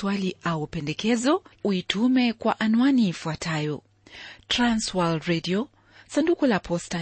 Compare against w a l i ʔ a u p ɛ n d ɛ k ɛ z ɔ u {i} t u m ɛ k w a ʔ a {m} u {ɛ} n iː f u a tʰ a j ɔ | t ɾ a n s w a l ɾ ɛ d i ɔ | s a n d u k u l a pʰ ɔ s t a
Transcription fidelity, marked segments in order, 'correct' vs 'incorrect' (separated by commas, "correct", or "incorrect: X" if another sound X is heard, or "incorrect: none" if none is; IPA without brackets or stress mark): correct, incorrect: n, incorrect: a